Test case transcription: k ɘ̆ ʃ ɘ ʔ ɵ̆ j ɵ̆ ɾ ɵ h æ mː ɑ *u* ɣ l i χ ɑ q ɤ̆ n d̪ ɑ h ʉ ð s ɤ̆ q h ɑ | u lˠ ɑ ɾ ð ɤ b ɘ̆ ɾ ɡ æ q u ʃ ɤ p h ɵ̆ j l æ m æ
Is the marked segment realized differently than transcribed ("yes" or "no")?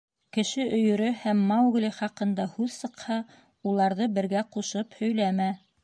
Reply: yes